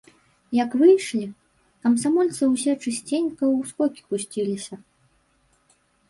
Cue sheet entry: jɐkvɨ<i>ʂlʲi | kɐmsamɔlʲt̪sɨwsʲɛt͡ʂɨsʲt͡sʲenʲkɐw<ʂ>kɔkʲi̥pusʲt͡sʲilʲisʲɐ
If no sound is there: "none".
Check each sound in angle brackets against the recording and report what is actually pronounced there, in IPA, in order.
j, s

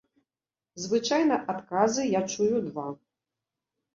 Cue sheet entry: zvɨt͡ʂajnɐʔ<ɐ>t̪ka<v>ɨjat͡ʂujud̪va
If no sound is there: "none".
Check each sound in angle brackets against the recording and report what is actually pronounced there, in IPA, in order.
a, z

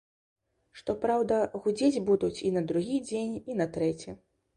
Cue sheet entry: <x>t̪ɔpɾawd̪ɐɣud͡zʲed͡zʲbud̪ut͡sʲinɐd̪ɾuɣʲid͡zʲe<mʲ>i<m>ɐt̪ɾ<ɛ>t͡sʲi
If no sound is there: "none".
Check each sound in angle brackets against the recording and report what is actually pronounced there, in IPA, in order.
ʂ, nʲ, n, ɛ

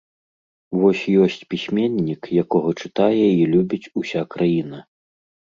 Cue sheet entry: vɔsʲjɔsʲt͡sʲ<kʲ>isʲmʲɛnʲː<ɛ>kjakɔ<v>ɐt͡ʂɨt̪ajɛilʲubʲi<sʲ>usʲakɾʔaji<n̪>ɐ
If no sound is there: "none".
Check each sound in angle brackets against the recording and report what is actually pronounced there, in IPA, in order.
pʲ, i, ɣ, t͡sʲ, n̪

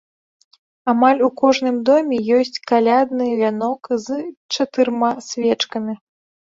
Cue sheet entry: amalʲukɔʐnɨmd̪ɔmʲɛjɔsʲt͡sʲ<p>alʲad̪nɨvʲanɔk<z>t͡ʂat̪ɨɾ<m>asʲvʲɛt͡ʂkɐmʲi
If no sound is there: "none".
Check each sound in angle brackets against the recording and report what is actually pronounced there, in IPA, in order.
k, z, m

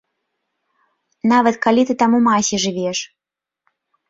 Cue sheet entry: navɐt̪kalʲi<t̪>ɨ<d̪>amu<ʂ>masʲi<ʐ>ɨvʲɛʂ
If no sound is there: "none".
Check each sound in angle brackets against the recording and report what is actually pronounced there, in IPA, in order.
t̪, t̪, none, ʐ

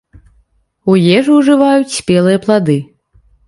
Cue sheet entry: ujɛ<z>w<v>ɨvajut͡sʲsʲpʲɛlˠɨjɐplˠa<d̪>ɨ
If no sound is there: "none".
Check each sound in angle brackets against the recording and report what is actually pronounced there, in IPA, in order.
ʐ, ʐ, d̪

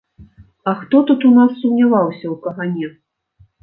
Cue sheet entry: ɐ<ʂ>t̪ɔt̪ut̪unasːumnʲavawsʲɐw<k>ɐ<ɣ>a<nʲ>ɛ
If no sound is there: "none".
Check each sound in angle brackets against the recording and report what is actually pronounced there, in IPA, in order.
x, k, ɣ, nʲ

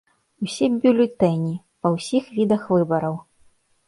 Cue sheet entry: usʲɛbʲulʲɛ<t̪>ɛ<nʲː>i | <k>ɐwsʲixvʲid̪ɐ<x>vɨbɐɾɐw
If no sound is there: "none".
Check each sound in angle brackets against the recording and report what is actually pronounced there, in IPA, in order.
t̪, nʲ, p, x

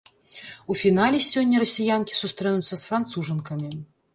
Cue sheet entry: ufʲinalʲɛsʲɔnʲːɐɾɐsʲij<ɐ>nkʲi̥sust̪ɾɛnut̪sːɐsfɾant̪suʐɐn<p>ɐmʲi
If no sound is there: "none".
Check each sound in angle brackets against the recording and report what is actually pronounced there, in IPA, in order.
a, k

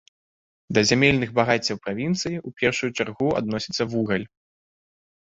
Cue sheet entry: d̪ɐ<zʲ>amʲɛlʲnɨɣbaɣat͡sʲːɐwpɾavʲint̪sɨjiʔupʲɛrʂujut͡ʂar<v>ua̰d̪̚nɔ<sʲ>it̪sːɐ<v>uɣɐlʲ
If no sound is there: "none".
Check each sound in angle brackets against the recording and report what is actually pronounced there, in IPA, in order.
zʲ, ɣ, sʲ, v

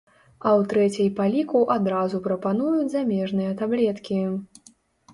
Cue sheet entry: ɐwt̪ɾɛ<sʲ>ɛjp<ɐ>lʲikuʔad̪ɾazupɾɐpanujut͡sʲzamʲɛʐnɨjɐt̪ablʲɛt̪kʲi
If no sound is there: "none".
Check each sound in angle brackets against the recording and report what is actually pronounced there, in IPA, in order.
t͡sʲ, a

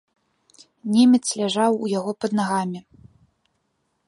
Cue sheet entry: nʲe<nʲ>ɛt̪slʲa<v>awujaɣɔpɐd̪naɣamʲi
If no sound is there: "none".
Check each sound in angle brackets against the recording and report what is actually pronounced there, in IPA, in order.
mʲ, ʐ

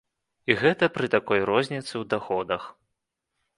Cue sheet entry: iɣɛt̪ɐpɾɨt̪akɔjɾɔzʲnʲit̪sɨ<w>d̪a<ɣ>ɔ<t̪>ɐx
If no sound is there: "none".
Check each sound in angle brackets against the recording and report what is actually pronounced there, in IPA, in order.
w, x, d̪

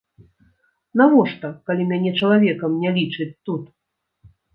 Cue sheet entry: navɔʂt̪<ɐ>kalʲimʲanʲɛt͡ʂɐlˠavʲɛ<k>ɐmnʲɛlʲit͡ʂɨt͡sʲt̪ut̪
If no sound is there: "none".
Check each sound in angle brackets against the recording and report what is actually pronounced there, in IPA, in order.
ɐ, k

